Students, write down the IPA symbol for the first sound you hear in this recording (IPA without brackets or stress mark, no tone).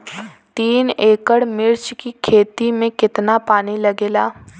t̪